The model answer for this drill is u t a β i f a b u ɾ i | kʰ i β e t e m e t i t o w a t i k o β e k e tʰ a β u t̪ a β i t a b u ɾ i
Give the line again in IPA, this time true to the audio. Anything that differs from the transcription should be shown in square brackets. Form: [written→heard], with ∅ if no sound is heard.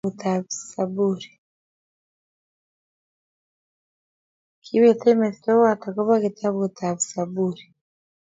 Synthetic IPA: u t a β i [f→s] a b u ɾ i | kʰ i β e t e m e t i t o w a t [i→a] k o β [e→a] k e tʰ a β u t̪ a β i [t→s] a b u ɾ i